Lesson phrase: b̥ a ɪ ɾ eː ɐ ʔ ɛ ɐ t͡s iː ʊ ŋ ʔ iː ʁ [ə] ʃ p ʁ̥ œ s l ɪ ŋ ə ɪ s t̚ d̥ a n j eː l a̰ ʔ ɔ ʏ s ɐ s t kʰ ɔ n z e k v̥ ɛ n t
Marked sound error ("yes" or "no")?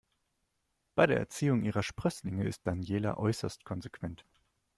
yes